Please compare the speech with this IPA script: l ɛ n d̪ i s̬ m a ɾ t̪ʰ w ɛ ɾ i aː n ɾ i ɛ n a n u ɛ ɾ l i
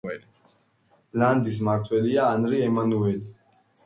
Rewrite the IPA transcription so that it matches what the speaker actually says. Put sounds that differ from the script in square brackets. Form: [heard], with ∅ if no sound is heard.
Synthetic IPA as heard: l [a] n d̪ i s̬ m a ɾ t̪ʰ w ɛ [l] i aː n ɾ i ɛ [m] a n u ɛ [∅] l i